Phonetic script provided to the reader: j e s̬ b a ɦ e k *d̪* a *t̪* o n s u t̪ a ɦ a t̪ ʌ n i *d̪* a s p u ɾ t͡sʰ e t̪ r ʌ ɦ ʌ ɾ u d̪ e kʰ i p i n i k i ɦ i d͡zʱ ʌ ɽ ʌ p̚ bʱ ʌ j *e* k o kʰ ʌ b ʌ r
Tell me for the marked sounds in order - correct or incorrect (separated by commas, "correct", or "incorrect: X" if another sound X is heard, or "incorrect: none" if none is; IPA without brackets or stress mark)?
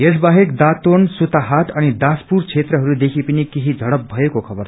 correct, correct, correct, correct